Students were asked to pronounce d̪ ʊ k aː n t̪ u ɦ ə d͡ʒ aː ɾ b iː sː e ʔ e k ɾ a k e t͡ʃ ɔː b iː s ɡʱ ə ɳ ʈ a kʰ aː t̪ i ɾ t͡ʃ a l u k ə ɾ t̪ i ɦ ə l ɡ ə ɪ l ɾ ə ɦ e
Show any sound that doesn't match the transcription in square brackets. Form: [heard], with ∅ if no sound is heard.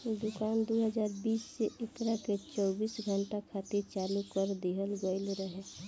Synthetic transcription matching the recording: d̪ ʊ k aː n [d̪] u ɦ ə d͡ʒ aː ɾ b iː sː e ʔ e k ɾ a k e t͡ʃ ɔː b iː s ɡʱ ə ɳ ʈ a kʰ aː t̪ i ɾ t͡ʃ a l u k ə ɾ [d̪] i ɦ ə l ɡ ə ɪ l ɾ ə ɦ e